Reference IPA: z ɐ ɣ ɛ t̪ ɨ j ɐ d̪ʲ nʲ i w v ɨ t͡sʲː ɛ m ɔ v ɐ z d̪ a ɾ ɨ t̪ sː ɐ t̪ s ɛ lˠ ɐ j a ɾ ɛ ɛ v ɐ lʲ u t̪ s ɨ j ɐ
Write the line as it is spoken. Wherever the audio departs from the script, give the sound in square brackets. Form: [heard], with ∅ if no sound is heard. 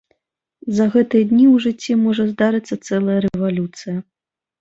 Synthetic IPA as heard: z ɐ ɣ ɛ t̪ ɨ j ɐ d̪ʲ nʲ i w [ʐ] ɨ t͡sʲː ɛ m ɔ [ʐ] ɐ z d̪ a ɾ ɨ t̪ sː ɐ t̪ s ɛ lˠ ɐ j [ɐ] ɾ ɛ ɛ v [a] lʲ u t̪ s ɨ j ɐ